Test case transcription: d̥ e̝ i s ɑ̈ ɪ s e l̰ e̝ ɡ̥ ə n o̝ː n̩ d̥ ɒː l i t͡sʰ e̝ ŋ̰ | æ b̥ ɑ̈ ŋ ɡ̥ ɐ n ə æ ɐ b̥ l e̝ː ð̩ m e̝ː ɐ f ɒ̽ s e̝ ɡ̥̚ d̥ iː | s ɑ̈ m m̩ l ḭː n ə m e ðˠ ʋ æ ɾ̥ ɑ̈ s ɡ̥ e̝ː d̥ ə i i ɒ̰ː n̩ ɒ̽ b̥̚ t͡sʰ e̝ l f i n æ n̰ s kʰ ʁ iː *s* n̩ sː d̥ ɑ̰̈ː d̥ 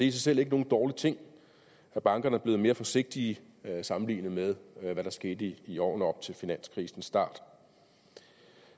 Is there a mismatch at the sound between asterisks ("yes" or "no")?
no